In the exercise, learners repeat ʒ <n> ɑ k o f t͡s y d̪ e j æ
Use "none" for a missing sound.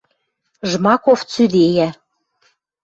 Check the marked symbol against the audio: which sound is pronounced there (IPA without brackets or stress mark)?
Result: m